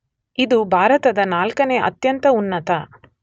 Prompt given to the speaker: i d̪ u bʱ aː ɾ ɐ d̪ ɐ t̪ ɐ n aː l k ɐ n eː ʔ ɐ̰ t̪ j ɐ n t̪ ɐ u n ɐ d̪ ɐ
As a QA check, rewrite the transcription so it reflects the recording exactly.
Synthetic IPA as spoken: i d̪ u bʱ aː ɾ ɐ t̪ ɐ d̪ ɐ n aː l k ɐ n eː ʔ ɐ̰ t̪ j ɐ n t̪ ɐ u nː ɐ t̪ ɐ